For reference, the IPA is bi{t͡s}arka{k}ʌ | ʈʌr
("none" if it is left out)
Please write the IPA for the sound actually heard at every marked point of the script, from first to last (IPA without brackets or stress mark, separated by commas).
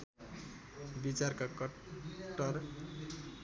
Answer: t͡s, k